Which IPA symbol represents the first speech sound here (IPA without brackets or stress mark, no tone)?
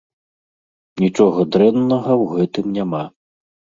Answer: nʲ